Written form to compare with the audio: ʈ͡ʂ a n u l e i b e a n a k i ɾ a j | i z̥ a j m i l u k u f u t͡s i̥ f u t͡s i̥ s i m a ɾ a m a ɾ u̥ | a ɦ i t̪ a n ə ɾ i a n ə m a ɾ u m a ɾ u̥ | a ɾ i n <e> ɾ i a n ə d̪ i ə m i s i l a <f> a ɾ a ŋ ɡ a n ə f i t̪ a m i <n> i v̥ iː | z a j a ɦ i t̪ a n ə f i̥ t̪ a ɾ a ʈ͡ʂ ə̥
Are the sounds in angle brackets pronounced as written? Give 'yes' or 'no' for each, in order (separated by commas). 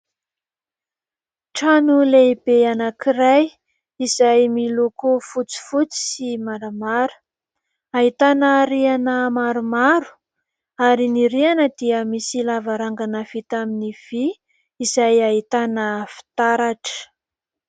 no, no, yes